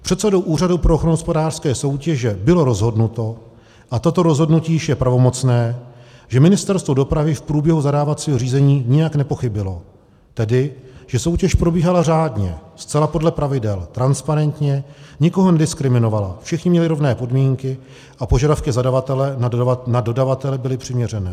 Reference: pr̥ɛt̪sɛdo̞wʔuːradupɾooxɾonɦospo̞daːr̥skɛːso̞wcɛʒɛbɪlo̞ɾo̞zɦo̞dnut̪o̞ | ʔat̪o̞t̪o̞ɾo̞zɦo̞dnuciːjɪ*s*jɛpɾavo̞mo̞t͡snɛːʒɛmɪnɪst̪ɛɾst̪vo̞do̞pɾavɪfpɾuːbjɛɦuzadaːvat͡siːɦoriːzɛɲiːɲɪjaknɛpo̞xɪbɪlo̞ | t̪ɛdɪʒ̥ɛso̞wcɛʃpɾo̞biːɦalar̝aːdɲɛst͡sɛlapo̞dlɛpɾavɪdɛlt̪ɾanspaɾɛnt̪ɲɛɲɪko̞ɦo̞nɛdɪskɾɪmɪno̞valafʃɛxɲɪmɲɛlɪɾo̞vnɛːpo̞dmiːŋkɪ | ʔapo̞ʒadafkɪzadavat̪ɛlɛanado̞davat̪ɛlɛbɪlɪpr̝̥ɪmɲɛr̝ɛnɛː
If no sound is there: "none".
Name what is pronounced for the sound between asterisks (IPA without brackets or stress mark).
ʃ